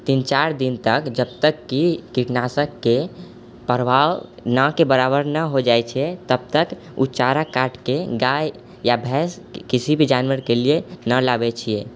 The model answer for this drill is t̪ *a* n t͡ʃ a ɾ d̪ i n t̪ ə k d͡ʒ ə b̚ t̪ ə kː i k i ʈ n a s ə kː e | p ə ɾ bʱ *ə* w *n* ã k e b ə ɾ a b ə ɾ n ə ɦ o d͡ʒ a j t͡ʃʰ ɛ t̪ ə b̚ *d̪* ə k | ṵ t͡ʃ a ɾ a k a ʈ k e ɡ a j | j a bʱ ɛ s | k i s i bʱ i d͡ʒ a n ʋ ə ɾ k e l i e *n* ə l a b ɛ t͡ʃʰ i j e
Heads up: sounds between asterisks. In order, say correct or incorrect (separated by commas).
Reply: incorrect, incorrect, correct, incorrect, correct